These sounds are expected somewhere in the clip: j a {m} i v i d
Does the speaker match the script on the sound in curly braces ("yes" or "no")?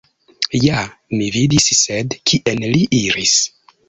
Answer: yes